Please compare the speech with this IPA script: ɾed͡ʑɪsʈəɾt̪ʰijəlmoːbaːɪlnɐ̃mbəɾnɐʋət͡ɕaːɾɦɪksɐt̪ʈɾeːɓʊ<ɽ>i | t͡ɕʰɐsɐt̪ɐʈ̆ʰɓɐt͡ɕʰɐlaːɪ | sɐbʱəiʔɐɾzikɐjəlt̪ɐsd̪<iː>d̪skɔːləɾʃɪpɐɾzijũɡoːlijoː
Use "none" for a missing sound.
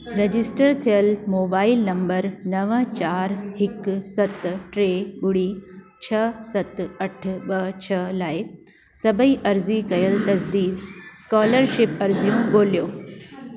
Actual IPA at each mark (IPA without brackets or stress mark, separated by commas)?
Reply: ɽ, iː